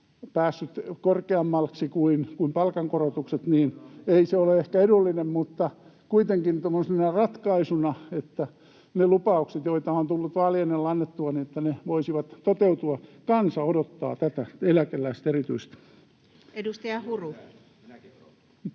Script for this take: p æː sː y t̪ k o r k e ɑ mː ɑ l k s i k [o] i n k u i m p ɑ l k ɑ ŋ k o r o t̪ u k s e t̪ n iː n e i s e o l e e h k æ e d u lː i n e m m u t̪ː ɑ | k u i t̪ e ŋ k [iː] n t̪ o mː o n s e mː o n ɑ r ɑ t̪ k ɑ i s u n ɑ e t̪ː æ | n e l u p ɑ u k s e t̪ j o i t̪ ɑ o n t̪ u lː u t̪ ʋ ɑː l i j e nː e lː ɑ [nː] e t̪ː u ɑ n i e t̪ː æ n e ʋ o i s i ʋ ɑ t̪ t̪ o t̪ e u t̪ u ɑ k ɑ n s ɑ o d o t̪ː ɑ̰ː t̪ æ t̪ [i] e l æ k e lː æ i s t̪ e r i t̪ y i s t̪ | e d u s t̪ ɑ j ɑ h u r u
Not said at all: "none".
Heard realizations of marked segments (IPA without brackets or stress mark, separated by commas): u, i, nː, æ